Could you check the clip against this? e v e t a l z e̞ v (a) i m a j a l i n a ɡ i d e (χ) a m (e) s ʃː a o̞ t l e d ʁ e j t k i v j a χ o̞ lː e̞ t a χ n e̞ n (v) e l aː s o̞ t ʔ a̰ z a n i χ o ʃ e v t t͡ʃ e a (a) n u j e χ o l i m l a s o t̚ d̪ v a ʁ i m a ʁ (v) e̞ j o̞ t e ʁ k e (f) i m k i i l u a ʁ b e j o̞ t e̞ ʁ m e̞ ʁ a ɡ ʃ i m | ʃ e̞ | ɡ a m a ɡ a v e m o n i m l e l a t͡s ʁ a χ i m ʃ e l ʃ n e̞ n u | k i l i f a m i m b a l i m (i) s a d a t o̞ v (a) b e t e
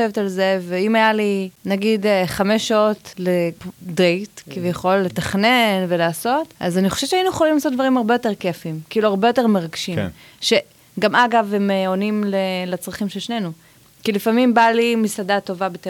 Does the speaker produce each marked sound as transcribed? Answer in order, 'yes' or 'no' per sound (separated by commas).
no, yes, yes, yes, no, no, yes, yes, yes